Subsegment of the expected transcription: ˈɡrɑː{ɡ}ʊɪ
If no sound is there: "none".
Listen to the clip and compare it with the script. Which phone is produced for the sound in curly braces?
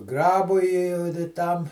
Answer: b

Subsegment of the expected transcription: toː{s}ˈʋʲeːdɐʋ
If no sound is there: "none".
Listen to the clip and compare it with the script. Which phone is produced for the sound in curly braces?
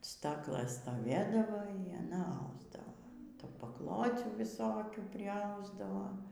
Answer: none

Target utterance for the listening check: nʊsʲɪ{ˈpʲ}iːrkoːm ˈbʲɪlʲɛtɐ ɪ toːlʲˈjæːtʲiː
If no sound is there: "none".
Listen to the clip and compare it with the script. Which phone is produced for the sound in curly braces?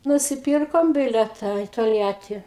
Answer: pʲ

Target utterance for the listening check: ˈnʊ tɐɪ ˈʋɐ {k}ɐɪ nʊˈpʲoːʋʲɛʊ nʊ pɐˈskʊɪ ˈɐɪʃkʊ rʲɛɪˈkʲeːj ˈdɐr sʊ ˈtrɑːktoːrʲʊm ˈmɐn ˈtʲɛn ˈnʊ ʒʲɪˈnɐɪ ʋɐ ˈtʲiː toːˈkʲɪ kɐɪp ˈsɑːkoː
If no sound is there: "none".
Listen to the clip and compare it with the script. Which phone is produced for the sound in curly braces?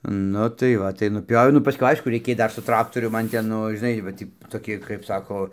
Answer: t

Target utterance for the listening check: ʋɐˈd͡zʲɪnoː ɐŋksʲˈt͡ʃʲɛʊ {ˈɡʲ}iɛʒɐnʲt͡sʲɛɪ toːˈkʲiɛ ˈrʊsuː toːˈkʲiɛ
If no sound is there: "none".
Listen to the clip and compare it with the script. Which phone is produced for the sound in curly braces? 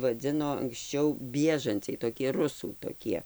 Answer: bʲ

